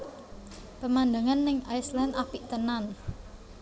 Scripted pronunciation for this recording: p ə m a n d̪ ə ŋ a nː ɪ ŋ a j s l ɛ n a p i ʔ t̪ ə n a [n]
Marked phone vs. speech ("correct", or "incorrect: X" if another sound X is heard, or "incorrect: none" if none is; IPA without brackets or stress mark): correct